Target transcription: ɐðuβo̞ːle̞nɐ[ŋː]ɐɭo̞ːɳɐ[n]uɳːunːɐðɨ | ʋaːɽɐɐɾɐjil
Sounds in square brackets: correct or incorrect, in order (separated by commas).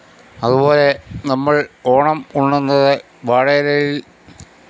incorrect, incorrect